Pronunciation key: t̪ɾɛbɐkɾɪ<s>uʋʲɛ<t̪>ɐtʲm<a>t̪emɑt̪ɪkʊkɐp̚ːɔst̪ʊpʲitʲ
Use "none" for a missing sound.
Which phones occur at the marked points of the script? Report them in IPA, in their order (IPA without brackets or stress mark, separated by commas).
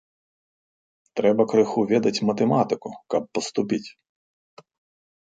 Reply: x, d̪, ɐ